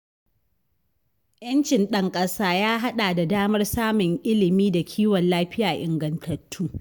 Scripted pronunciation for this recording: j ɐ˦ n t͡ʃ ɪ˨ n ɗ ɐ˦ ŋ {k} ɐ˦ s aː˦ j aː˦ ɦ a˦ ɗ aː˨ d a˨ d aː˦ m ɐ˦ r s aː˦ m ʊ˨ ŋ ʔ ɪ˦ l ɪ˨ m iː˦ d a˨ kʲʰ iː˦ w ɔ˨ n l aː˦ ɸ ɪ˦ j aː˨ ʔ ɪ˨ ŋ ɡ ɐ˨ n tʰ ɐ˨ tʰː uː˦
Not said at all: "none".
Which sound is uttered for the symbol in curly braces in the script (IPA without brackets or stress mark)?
kʼ